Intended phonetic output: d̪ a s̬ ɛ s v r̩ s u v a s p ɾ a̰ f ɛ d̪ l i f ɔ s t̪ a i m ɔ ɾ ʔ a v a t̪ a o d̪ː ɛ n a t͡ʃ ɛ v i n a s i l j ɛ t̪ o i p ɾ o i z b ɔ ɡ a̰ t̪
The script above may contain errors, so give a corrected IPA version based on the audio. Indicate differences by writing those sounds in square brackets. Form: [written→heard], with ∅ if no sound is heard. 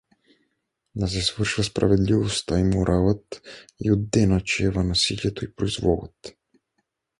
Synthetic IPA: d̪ a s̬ ɛ s v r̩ [s→ʃ] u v a s p ɾ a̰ [f→v] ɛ d̪ l i [f→v] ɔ s t̪ a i m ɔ ɾ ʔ a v a t̪ [a→i] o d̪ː ɛ n a t͡ʃ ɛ v [i→a] n a s i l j ɛ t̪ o i p ɾ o i z [b→v] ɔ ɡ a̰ t̪